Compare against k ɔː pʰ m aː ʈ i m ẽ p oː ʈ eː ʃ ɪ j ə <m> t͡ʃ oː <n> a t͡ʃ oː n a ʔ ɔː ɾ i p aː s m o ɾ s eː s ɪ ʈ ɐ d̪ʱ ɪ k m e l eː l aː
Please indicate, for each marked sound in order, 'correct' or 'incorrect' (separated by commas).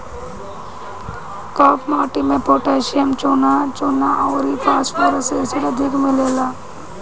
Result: correct, correct